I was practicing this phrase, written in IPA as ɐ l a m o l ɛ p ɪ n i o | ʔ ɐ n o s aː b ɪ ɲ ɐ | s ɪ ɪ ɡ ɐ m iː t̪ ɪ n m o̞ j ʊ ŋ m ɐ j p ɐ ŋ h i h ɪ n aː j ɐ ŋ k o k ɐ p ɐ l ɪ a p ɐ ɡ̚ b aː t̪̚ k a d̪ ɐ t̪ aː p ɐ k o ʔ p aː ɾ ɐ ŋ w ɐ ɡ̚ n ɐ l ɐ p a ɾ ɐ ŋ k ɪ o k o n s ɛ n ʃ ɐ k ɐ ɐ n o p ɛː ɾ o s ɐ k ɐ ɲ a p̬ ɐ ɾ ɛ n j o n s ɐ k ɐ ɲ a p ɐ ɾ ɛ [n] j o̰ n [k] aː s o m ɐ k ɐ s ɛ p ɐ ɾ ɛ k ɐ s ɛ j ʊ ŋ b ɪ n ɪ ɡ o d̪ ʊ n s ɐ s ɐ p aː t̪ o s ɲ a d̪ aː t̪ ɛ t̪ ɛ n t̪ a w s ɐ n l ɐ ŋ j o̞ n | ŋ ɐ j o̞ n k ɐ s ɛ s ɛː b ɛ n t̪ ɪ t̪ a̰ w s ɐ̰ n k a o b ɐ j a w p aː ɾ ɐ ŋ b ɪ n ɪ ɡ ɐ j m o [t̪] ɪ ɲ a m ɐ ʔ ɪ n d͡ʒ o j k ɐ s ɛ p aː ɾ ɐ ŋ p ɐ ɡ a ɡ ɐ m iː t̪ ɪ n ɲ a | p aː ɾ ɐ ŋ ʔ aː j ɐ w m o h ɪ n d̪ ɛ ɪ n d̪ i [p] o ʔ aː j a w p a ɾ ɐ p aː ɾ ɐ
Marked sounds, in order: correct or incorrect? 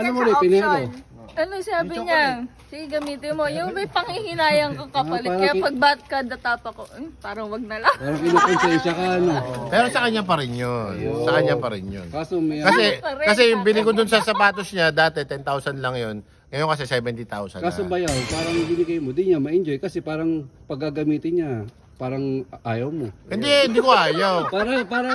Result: correct, correct, incorrect, incorrect

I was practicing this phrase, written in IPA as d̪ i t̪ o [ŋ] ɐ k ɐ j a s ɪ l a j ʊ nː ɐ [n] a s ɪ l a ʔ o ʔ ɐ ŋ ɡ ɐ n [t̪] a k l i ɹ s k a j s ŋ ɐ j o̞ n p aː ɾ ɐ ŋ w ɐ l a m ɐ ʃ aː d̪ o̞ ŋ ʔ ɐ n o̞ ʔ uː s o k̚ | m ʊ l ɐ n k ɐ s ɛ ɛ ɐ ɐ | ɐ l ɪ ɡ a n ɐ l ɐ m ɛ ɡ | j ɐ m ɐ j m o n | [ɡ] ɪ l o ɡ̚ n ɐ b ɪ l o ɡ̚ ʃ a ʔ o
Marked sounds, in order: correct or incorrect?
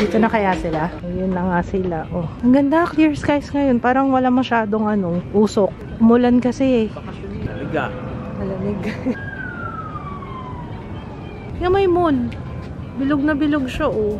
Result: incorrect, incorrect, incorrect, incorrect

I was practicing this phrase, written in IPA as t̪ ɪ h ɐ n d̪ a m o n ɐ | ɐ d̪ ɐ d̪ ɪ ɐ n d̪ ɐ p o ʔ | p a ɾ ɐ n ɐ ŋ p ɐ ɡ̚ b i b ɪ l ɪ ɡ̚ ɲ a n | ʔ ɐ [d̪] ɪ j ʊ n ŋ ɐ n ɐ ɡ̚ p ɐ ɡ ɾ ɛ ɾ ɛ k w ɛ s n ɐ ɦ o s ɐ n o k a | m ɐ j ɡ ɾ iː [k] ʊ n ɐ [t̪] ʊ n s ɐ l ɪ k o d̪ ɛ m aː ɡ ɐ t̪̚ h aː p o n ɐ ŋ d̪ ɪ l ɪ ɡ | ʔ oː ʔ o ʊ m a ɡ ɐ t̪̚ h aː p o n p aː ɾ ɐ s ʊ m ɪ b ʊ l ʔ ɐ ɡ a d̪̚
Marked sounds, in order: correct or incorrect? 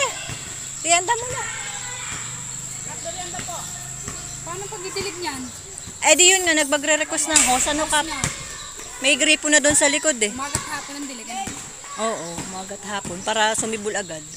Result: correct, incorrect, incorrect

